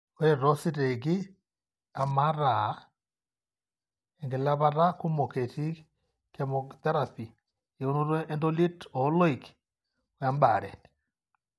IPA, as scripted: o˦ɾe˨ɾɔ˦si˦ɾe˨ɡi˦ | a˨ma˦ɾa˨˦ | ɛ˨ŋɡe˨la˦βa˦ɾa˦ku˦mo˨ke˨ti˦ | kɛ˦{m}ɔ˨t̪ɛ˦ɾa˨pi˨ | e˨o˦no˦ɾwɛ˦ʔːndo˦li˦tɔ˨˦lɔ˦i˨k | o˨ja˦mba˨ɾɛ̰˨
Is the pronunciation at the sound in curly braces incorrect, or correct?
correct